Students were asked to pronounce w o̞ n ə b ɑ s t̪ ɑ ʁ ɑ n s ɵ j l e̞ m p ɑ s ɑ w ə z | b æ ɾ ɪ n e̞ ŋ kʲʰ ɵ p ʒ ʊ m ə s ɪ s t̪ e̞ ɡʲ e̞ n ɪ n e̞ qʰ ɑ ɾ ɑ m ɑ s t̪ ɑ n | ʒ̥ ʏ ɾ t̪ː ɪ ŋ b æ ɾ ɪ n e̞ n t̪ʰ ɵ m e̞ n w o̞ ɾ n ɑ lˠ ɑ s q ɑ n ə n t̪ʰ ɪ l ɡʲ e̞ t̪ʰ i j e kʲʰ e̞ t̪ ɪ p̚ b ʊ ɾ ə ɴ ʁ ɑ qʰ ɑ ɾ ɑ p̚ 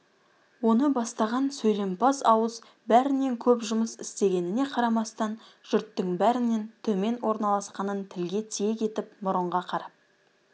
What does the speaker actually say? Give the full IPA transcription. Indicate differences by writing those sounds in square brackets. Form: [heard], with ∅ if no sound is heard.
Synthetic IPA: w o̞ n ə b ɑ s t̪ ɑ ʁ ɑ n s ɵ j l e̞ m p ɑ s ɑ w ə z | b æ ɾ ɪ n e̞ ŋ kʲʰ ɵ p ʒ ʊ m ə s ɪ s t̪ e̞ ɡʲ e̞ n ɪ n e̞ qʰ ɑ ɾ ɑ m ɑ s t̪ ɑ n | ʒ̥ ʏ ɾ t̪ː ɪ ŋ b æ ɾ ɪ n e̞ n t̪ʰ ɵ m e̞ n w o̞ ɾ n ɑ lˠ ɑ s q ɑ n ə n t̪ʰ ɪ l ɡʲ e̞ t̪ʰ i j e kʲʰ e̞ t̪ ɪ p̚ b ʊ ɾ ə ɴ ʁ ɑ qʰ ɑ ɾ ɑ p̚

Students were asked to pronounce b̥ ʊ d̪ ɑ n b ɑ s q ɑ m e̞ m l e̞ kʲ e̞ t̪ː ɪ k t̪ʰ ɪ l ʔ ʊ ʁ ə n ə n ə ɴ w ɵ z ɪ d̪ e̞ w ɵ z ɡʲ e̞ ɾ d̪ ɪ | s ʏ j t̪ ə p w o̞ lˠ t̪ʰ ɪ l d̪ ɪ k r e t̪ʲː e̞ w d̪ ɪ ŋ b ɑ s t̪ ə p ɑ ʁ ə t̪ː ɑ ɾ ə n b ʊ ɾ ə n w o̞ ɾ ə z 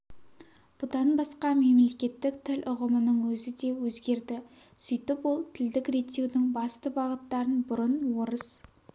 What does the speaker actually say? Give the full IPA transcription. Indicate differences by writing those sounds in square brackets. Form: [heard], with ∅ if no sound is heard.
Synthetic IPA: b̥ ʊ d̪ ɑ n b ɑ s q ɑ m e̞ m l e̞ kʲ e̞ t̪ː ɪ k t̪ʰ ɪ l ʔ ʊ ʁ ə [m] ə n ə ɴ w ɵ z ɪ d̪ e̞ w ɵ z ɡʲ e̞ ɾ d̪ ɪ | s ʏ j t̪ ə p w o̞ lˠ t̪ʰ ɪ l d̪ ɪ k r e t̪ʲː e̞ w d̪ ɪ ŋ b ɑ s t̪ ə [b] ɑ ʁ ə t̪ː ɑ ɾ ə n b ʊ ɾ ə n w o̞ ɾ ə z

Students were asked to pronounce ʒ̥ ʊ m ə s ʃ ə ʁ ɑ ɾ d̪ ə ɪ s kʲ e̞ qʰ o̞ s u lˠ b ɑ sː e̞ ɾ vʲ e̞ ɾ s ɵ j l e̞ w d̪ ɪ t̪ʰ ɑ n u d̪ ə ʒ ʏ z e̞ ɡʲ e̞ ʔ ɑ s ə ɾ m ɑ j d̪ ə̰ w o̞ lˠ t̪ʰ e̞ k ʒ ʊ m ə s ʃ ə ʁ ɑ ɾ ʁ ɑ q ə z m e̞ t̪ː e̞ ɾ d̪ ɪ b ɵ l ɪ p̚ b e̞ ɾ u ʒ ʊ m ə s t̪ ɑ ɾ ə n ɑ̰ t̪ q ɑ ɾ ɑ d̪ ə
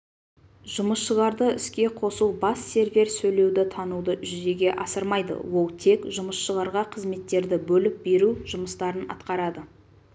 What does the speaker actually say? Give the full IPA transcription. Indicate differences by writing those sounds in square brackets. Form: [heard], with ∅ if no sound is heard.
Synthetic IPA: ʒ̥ ʊ m ə s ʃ ə ʁ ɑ ɾ d̪ ə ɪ s kʲ e̞ qʰ o̞ s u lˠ b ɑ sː e̞ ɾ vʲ e̞ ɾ s ɵ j l e̞ w d̪ ɪ t̪ʰ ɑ n u d̪ ə ʒ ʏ z e̞ ɡʲ e̞ ʔ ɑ s ə ɾ m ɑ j d̪ ə̰ w o̞ lˠ t̪ʰ e̞ k ʒ ʊ m ə s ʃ ə ʁ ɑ ɾ ʁ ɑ [qʰ] ə z m e̞ t̪ː e̞ ɾ d̪ ɪ b ɵ l ɪ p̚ b e̞ ɾ u ʒ ʊ m ə s t̪ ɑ ɾ ə n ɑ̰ t̪ q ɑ ɾ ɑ d̪ ə

